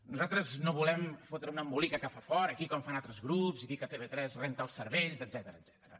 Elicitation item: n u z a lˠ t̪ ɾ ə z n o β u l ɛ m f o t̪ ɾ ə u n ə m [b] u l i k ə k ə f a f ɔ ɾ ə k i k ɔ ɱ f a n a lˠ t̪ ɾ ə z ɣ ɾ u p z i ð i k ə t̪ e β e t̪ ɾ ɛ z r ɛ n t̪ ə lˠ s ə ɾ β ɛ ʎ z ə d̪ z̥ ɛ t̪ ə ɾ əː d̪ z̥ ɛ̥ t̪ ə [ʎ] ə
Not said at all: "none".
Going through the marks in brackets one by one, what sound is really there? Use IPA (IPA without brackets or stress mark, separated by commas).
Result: b, ɾ